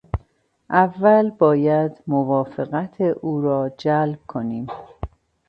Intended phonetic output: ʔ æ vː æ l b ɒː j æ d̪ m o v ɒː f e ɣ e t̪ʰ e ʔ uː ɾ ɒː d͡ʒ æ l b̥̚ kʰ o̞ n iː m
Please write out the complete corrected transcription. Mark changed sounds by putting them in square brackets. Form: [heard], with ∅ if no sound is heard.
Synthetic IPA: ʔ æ vː æ l b ɒː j æ d̪ m o v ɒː f e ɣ [æ] t̪ʰ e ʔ uː ɾ ɒː d͡ʒ æ l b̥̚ kʰ o̞ n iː m